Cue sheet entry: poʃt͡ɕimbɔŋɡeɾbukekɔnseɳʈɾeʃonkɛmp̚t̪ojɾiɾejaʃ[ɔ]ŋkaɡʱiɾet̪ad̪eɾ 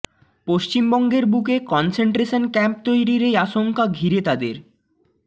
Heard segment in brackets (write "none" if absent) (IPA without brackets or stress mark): o